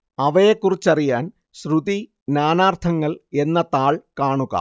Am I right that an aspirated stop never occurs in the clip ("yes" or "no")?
no